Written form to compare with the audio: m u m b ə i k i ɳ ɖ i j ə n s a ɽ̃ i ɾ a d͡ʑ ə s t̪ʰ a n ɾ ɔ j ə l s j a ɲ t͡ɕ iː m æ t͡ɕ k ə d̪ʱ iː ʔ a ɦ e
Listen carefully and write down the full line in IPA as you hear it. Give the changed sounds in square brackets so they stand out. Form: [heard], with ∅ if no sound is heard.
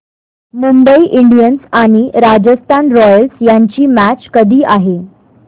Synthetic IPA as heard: m u m b ə i [ʔ] i ɳ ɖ i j ə n s a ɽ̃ i ɾ a d͡ʑ ə s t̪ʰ a n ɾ ɔ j ə l s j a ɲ t͡ɕ iː m æ t͡ɕ k ə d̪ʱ iː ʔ a ɦ e